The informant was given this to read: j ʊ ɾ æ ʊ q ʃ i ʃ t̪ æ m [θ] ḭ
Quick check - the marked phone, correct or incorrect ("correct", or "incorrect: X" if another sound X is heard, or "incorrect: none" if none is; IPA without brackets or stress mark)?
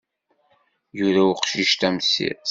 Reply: incorrect: s